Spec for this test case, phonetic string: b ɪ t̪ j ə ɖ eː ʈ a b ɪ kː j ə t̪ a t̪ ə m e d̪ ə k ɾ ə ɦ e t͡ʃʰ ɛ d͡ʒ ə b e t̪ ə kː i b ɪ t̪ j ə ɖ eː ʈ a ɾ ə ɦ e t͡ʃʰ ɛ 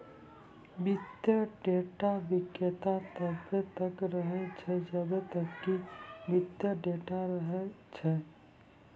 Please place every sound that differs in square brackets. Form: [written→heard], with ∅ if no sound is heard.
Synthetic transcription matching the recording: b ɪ t̪ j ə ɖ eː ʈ a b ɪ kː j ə t̪ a t̪ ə [m→b] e [d̪→t̪] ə k ɾ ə ɦ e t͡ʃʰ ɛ d͡ʒ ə b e t̪ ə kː i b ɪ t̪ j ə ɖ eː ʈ a ɾ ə ɦ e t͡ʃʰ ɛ